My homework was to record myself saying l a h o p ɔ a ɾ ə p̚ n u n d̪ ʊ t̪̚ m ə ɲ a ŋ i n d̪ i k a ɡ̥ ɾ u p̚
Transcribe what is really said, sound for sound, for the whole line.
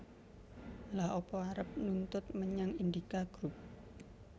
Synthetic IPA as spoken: l a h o p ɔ a ɾ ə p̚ n u n t̪ ʊ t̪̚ m ə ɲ a ŋ i n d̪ i k a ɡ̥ ɾ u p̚